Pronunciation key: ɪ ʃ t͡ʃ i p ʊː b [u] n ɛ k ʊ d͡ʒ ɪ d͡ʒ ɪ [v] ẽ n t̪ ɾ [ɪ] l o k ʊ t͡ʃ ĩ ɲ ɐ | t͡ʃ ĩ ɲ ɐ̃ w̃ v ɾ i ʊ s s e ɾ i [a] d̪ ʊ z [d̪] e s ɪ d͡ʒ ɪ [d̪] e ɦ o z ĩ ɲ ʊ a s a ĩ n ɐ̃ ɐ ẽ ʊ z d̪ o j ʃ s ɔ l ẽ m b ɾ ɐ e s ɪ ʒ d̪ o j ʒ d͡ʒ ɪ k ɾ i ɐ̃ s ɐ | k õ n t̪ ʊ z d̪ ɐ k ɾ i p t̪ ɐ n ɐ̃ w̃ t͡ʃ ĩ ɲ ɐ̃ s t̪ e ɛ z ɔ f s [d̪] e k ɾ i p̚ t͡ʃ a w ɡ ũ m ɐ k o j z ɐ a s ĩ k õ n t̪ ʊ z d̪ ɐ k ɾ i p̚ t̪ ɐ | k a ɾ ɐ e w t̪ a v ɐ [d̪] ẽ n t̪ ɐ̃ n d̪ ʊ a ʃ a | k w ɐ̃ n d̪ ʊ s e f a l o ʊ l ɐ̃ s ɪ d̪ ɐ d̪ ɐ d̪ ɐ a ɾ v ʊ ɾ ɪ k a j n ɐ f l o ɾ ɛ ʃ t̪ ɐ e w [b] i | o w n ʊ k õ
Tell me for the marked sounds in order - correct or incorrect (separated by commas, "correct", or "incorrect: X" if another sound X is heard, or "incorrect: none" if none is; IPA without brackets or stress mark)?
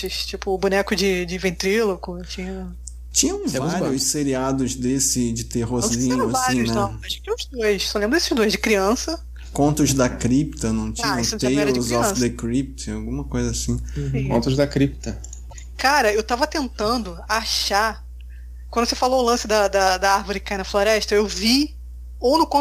correct, correct, incorrect: i, correct, correct, incorrect: t̪, correct, incorrect: t̪, incorrect: v